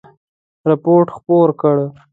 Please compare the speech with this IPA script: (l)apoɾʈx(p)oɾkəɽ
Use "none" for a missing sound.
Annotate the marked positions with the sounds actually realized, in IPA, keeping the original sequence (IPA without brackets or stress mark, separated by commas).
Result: ɾ, p